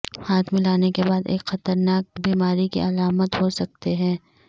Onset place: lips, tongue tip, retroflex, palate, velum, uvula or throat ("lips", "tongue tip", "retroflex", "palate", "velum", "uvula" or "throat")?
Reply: throat